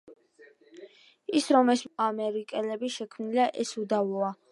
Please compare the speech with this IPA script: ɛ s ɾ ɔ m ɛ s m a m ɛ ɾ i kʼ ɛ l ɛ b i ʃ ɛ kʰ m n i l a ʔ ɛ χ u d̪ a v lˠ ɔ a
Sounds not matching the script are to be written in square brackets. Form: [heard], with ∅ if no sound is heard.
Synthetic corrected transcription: [i] s ɾ ɔ m ɛ s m a m ɛ ɾ i kʼ ɛ l ɛ b i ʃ ɛ kʰ m n i l a ʔ ɛ [s] u d̪ a v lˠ ɔ a